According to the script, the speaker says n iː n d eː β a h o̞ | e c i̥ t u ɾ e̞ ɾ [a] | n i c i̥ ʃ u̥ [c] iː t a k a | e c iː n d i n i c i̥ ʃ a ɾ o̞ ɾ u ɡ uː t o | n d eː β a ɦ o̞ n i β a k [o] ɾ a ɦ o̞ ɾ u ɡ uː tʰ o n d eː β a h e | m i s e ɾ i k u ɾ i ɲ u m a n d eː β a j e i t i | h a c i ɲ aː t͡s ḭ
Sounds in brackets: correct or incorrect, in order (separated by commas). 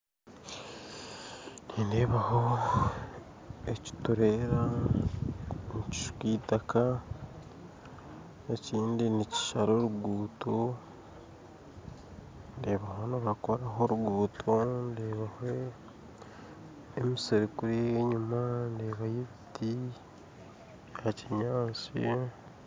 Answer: correct, incorrect, correct